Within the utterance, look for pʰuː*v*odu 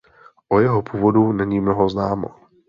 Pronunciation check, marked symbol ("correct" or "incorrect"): correct